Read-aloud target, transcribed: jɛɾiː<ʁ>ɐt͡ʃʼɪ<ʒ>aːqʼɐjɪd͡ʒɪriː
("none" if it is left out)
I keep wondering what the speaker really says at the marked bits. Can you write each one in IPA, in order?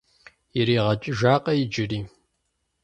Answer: ʁ, ʒ

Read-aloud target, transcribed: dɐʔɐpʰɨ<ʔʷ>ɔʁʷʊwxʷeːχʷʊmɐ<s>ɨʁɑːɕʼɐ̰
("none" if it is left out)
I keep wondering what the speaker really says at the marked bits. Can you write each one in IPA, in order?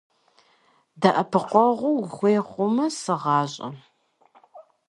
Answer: qʷ, s

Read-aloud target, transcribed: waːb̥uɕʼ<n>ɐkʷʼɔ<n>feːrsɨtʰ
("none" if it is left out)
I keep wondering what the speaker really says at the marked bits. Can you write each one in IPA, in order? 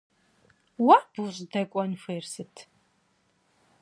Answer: d, n

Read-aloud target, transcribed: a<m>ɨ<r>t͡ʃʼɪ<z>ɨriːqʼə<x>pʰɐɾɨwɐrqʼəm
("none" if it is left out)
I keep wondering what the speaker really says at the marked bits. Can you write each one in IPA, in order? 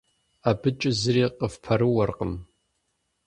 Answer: b, none, z, f

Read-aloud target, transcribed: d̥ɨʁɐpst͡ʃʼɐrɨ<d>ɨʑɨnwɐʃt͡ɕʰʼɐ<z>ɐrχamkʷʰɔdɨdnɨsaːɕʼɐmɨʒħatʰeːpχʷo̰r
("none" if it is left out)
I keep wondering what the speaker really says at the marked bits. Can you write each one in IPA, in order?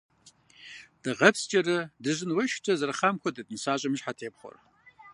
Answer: d, z

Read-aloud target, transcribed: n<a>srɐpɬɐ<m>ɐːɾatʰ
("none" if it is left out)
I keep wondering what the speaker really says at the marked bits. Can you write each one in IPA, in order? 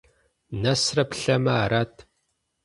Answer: ɐ, m

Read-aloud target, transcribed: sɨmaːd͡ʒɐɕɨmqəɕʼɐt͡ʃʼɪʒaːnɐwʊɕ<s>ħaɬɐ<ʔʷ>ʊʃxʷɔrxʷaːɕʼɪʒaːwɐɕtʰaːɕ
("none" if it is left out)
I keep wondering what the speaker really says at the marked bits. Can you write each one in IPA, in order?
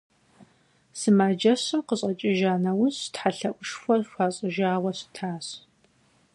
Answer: t, ʔʷ

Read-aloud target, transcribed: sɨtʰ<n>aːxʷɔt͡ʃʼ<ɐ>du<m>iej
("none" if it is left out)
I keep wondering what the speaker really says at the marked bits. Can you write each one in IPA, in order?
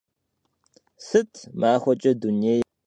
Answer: m, ɐ, n

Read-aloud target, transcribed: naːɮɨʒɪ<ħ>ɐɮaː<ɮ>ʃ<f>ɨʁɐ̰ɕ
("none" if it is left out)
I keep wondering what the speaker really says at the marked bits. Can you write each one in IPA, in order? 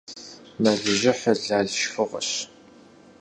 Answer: ħ, ɮ, f

